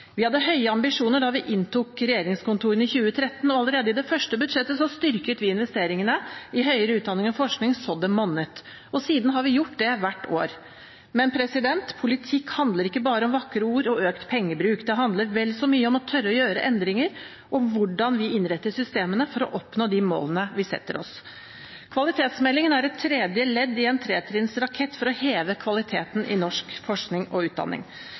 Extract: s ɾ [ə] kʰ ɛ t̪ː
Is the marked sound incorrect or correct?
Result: incorrect